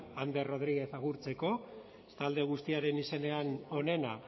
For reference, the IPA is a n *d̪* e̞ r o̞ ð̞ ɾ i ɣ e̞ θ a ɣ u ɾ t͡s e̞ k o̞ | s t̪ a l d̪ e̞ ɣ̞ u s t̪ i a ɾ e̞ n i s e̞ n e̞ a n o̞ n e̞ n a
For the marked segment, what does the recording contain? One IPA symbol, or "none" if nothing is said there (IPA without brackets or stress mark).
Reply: d̪